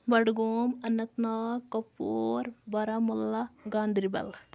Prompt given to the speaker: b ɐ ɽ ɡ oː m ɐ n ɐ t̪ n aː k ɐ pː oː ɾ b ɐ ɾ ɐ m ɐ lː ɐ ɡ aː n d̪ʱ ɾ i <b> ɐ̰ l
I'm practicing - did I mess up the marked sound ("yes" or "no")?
no